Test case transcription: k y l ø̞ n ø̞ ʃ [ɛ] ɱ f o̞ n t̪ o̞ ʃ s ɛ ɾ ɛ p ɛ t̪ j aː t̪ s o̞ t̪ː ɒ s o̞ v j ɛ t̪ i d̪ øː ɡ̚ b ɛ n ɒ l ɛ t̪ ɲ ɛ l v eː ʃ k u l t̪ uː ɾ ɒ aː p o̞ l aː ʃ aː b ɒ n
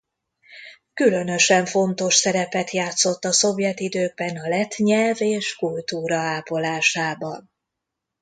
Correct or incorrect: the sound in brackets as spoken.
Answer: correct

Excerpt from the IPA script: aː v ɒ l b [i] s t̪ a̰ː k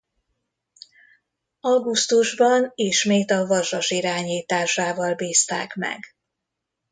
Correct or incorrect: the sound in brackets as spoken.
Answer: incorrect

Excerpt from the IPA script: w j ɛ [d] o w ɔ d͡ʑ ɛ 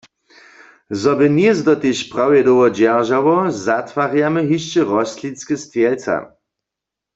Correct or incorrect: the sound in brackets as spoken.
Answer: correct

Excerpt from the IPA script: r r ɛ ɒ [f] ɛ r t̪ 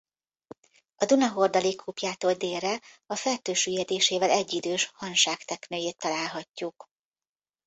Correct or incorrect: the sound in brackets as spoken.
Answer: correct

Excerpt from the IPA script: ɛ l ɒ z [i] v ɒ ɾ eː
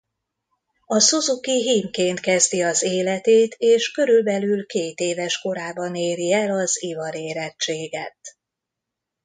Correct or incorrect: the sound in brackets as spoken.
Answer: correct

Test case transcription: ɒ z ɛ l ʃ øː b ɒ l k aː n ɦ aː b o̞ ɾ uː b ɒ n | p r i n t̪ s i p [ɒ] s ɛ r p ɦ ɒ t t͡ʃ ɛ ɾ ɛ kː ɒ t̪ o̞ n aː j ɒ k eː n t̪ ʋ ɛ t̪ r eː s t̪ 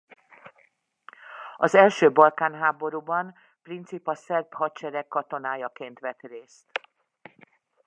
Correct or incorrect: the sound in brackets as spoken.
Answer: correct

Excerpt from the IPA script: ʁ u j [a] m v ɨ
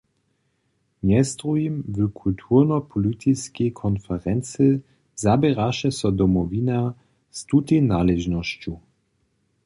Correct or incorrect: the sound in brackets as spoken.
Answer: incorrect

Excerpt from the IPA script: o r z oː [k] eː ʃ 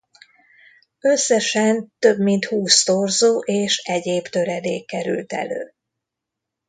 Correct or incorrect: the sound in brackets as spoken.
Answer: incorrect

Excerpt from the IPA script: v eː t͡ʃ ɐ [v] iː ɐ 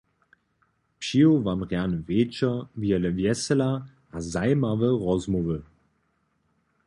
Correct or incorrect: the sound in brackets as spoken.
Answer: correct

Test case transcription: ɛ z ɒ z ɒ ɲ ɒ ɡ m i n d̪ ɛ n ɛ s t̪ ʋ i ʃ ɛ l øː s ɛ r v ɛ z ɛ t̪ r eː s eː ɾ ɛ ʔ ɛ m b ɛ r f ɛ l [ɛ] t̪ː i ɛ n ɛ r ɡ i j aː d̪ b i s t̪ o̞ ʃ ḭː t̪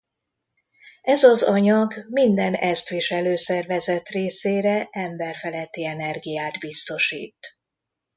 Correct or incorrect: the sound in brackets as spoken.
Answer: correct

